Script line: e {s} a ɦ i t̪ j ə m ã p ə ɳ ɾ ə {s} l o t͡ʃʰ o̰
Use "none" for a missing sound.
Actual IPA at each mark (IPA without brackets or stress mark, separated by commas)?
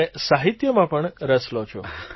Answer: s, s